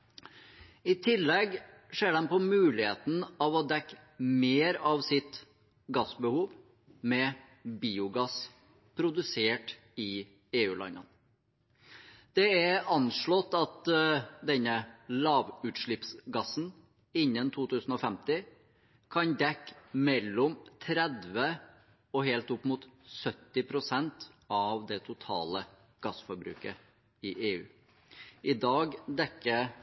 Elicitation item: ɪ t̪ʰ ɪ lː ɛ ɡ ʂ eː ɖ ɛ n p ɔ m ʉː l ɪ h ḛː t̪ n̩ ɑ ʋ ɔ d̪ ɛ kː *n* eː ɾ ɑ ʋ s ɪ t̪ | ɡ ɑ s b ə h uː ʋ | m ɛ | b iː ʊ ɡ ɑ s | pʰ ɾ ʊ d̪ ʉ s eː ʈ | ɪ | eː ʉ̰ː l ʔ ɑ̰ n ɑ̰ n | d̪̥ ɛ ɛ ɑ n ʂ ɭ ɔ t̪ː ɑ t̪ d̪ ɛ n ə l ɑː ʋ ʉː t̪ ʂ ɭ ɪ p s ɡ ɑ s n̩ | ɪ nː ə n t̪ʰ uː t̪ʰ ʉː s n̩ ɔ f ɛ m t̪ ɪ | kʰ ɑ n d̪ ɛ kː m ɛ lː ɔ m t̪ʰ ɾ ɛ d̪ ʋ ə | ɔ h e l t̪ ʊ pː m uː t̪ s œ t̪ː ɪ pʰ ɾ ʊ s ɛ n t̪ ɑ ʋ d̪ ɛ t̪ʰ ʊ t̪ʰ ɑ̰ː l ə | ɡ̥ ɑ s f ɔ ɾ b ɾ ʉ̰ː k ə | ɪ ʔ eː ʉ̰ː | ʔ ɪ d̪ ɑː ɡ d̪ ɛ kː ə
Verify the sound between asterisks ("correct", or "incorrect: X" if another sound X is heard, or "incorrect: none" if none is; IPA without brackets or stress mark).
incorrect: m